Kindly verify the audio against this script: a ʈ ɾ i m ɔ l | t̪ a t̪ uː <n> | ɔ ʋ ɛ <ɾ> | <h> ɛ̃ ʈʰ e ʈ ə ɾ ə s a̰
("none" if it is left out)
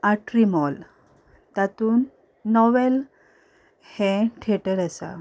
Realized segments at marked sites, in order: nː, l, h

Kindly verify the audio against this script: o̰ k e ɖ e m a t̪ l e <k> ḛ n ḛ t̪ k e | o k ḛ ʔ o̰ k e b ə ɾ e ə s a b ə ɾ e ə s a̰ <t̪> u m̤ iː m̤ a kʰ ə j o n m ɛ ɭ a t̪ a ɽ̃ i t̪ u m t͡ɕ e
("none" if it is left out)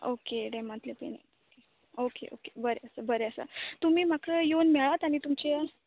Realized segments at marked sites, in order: p, t̪

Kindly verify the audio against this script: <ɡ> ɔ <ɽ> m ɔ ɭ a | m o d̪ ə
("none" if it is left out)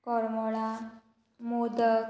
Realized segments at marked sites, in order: k, ɾ

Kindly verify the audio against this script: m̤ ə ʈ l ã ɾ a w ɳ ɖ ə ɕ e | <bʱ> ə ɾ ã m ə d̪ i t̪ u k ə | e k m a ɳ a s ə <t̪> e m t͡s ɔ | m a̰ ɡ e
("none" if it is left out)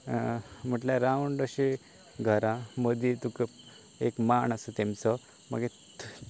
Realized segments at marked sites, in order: ɡʱ, t̪

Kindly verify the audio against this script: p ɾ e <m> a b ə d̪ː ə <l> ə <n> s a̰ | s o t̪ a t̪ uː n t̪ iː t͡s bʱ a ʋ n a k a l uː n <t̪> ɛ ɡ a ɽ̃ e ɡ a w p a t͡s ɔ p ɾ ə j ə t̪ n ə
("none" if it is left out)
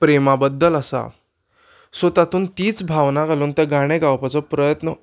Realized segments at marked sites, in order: m, l, none, t̪

